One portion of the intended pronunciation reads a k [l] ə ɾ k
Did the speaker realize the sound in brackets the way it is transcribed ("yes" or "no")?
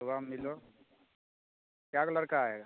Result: yes